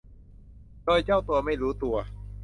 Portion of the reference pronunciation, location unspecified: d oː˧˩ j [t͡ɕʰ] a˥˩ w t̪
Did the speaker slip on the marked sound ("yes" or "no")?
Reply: yes